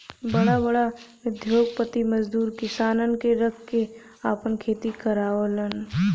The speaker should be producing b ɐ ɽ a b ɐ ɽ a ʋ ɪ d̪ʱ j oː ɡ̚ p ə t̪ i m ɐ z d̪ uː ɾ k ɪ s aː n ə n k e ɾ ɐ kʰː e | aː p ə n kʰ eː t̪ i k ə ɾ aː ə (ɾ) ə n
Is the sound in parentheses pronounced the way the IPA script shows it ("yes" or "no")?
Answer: no